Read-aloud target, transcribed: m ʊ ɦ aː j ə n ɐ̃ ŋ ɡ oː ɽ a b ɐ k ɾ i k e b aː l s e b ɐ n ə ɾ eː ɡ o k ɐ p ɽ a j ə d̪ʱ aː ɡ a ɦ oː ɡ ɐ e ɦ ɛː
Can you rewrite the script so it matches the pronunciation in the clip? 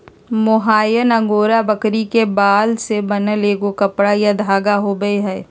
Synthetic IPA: m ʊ ɦ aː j ə n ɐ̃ ŋ ɡ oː ɾ a b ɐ k ɾ i k e b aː l s e b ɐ n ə l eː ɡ o k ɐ p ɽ a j a d̪ʱ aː ɡ a ɦ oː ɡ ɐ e ɦ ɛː